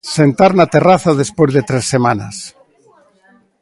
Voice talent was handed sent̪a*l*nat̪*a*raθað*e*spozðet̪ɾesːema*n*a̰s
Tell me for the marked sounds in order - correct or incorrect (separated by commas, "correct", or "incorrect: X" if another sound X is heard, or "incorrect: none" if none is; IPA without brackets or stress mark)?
incorrect: ɾ, incorrect: e, correct, correct